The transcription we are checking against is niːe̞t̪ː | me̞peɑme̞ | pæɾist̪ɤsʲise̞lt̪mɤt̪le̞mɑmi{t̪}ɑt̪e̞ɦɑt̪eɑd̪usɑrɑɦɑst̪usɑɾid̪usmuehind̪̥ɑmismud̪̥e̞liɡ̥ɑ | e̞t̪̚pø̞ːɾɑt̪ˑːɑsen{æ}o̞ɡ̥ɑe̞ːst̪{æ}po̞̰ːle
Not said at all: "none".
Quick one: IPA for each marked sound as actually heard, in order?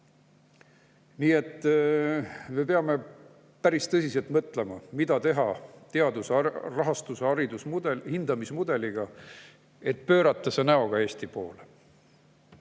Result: d̪, æ, i

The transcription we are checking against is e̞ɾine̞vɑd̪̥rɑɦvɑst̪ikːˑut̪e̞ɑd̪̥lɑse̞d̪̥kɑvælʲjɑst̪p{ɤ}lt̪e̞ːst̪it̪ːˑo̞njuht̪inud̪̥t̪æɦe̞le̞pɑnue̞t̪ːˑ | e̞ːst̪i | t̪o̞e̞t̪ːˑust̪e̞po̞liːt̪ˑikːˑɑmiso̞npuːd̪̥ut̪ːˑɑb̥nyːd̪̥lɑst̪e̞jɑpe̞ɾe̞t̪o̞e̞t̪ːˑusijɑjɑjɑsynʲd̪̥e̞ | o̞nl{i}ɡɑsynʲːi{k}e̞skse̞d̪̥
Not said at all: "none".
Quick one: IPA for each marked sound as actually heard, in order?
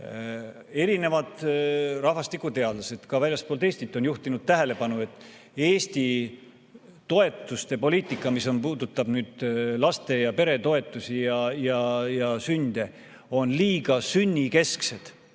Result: o, iː, k

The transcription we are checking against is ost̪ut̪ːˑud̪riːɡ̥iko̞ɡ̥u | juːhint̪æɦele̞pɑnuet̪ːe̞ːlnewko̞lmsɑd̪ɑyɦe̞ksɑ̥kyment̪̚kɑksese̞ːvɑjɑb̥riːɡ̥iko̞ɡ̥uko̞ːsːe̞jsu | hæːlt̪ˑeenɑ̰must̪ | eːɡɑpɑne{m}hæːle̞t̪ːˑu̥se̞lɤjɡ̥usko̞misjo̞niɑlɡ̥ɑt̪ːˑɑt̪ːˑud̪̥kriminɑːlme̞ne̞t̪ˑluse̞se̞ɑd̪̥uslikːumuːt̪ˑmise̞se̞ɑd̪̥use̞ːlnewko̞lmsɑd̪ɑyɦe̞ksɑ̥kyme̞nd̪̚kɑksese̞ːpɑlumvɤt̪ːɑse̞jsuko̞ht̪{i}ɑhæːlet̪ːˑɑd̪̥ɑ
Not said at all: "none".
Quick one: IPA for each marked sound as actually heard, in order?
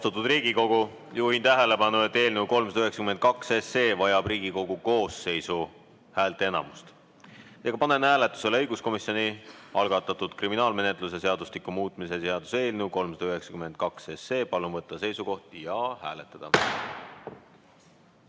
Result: n, j

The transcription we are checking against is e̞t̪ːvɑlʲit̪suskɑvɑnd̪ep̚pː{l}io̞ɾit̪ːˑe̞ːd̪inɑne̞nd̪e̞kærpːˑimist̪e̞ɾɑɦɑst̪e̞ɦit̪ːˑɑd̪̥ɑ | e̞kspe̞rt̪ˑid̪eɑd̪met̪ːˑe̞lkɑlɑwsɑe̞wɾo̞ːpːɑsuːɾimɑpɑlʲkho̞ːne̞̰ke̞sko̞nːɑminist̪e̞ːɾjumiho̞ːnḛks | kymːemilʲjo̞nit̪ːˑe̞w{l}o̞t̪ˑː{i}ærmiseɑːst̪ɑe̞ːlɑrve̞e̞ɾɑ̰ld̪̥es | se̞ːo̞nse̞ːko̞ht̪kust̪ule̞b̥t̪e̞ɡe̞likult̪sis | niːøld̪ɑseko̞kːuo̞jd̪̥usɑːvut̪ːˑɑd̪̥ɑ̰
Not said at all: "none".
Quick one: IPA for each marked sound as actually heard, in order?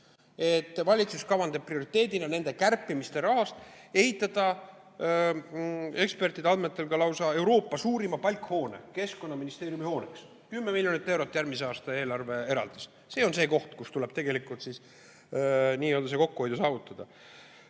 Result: r, ɾ, j

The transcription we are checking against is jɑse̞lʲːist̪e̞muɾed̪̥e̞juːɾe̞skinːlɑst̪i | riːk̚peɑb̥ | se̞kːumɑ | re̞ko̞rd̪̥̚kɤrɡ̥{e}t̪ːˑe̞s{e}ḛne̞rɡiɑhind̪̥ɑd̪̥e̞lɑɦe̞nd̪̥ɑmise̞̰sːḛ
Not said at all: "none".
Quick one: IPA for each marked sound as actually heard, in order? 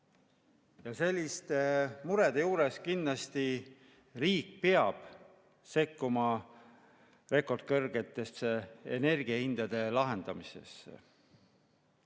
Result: e, e

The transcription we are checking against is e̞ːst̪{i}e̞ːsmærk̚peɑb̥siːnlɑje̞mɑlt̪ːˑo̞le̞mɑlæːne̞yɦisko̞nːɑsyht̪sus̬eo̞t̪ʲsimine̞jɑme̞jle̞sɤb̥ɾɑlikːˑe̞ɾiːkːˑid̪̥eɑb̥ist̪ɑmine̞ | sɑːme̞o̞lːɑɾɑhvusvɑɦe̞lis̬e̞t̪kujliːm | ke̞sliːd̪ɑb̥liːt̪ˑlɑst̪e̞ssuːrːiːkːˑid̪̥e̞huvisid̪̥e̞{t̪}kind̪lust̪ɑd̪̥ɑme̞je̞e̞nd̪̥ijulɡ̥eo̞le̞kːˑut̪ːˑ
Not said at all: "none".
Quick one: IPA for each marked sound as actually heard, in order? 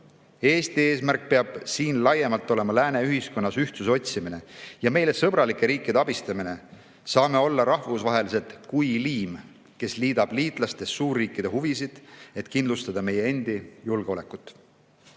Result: i, t̪

